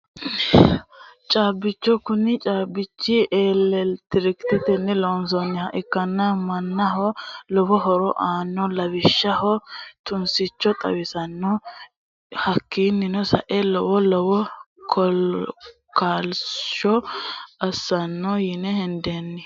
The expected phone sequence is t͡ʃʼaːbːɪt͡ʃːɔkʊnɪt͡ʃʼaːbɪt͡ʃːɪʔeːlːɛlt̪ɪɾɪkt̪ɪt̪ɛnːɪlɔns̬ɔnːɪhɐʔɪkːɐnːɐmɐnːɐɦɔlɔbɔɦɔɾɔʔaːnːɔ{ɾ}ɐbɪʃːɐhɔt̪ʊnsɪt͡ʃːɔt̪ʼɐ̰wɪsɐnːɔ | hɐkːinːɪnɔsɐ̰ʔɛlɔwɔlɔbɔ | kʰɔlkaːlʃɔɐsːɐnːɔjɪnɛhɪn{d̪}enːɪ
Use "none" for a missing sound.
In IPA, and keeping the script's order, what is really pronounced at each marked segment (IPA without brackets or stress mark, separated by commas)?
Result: l, d̪